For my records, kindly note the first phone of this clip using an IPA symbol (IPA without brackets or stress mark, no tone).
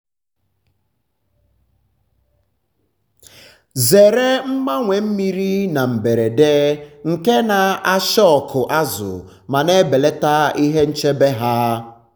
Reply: z